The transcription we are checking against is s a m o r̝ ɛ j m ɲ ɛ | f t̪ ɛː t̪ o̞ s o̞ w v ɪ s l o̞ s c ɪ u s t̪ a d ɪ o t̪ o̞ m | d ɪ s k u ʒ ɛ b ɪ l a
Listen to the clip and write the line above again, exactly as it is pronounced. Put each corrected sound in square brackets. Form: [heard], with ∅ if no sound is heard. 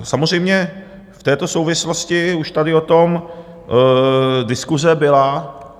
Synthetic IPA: s a m o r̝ ɛ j m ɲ ɛ | f t̪ ɛː t̪ o̞ s o̞ w v ɪ s l o̞ s c ɪ u [ʃ] t̪ a d ɪ o t̪ o̞ m | d ɪ s k u [z] ɛ b ɪ l a